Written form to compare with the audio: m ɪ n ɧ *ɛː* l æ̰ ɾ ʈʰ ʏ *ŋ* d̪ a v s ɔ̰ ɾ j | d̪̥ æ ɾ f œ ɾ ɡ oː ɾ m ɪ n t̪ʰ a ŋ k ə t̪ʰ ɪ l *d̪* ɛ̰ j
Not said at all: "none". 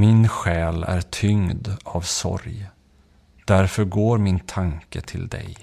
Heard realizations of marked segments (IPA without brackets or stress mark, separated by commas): ɛː, ŋ, d̪